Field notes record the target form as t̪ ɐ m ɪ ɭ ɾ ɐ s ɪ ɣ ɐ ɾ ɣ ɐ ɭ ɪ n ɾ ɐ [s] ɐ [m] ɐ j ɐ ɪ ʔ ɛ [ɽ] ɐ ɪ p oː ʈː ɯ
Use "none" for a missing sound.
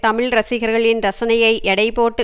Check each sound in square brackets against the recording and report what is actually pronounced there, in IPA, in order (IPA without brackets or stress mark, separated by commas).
s, n, ɽ